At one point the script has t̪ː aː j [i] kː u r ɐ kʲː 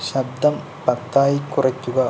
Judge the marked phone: correct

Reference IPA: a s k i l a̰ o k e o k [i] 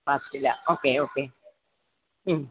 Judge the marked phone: incorrect: e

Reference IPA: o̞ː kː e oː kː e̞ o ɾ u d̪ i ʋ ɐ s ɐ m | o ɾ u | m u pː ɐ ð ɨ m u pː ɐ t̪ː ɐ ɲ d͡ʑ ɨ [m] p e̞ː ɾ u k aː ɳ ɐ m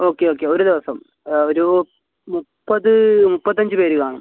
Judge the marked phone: incorrect: none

